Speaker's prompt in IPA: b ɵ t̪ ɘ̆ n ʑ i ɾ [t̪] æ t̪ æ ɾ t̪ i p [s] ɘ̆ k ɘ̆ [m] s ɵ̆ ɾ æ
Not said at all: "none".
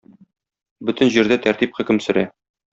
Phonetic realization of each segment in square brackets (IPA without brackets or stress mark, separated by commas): d̪, χ, m